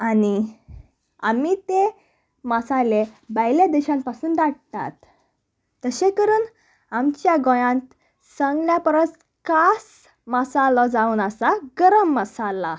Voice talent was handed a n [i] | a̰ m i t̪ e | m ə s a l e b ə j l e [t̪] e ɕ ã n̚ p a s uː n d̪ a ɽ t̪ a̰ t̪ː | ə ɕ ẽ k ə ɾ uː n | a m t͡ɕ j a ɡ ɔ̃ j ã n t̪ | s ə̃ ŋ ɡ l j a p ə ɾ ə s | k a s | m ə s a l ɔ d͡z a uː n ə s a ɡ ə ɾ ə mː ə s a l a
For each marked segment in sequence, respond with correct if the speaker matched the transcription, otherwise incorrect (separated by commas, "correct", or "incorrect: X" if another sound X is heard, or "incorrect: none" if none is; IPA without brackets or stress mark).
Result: correct, incorrect: d̪